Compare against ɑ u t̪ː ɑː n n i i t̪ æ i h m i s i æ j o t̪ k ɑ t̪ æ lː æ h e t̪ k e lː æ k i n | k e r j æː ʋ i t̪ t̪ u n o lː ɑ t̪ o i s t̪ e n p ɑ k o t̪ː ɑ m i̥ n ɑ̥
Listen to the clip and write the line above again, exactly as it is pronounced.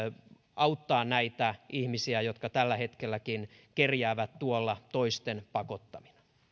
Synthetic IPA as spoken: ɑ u t̪ː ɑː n n æ i t̪ æ i h m i s i æ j o t̪ k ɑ t̪ æ lː æ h e t̪ k e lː æ k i n | k e r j æː ʋ æ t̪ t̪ u o lː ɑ t̪ o i s t̪ e n p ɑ k o t̪ː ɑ m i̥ n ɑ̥